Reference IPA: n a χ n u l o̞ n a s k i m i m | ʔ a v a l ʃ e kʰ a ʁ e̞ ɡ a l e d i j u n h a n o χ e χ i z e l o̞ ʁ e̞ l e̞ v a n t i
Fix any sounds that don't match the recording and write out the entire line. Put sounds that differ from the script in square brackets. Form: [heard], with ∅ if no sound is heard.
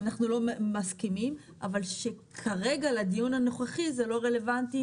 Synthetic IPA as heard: n a χ n u l o̞ [m] a s k i m i m | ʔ a v a l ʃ e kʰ a ʁ e̞ ɡ a l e d i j u n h a n o χ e χ i z e l o̞ ʁ e̞ l e̞ v a n t i